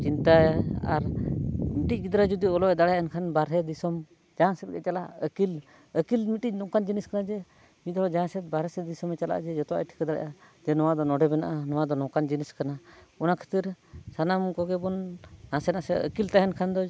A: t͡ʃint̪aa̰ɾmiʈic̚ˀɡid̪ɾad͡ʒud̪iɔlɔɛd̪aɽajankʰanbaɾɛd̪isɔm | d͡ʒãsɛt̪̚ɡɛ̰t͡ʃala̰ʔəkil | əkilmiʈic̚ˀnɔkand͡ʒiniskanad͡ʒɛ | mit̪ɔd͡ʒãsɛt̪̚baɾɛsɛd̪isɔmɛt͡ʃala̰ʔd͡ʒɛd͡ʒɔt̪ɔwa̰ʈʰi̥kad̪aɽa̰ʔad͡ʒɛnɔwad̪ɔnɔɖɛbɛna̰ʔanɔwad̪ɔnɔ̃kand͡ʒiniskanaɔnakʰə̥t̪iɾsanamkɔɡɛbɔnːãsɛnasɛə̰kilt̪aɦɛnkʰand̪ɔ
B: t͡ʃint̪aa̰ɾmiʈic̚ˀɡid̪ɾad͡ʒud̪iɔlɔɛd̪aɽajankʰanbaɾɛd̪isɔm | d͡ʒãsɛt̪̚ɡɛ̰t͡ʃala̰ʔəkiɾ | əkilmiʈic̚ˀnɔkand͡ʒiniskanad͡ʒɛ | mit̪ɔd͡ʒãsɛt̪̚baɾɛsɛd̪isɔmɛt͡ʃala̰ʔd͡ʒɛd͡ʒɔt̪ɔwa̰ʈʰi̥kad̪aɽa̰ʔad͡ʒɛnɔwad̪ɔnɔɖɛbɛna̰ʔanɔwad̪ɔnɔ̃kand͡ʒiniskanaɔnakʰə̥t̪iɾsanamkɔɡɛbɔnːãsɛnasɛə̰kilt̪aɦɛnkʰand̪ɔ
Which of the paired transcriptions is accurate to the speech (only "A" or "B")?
A